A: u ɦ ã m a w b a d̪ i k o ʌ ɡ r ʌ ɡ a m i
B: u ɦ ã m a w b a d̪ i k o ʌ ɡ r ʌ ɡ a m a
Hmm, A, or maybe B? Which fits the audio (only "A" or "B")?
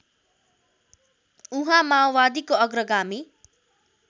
A